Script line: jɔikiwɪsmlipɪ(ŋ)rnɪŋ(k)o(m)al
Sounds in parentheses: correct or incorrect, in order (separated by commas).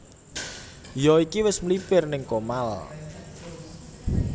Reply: incorrect, correct, correct